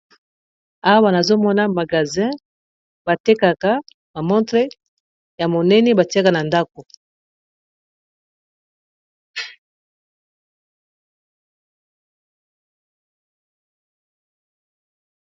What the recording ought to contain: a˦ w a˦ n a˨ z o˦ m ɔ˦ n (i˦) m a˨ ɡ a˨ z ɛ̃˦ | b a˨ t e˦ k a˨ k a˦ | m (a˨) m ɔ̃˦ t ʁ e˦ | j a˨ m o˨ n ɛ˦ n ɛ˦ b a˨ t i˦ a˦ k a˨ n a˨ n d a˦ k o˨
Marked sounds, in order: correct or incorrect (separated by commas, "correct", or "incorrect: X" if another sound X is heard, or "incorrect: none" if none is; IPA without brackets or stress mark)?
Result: incorrect: a˦, correct